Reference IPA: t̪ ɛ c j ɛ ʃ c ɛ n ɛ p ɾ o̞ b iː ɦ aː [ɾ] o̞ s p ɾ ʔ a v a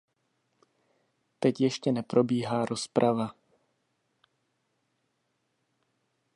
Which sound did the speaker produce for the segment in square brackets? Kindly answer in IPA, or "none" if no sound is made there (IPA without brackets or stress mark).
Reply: ɾ